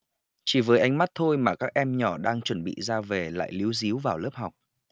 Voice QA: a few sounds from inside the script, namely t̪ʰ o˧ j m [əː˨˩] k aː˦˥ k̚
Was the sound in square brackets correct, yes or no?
no